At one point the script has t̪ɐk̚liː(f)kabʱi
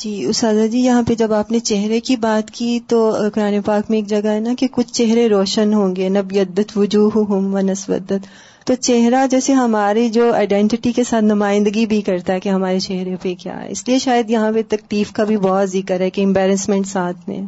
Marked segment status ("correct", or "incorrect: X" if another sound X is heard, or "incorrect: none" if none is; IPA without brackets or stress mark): correct